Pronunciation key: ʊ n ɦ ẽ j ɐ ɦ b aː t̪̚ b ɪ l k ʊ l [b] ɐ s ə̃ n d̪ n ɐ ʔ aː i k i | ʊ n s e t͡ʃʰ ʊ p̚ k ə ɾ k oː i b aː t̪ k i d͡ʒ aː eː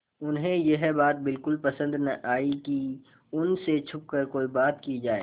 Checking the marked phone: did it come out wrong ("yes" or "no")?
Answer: yes